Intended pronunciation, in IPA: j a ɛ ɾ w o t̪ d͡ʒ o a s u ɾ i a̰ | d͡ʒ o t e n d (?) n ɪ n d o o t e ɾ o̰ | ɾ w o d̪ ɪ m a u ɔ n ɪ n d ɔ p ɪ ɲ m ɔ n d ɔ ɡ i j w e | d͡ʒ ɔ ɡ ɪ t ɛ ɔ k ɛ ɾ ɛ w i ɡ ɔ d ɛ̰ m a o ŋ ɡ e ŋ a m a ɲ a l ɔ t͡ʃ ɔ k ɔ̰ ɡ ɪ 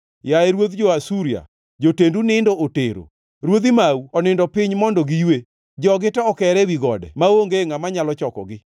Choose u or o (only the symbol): u